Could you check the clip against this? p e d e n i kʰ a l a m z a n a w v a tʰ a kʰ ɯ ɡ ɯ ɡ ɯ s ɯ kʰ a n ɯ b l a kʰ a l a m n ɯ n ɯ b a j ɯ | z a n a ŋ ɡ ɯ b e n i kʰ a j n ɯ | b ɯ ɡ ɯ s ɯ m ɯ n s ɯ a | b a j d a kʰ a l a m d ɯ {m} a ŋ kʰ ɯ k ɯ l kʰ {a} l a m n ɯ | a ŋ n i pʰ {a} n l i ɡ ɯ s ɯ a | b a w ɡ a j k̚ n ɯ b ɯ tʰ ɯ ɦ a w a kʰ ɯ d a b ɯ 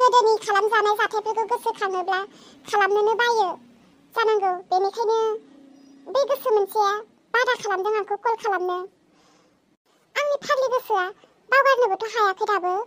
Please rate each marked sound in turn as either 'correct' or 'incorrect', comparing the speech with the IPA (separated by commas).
incorrect, correct, correct